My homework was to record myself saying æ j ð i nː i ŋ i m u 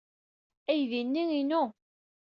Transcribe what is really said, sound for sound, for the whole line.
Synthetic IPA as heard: æ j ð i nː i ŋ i n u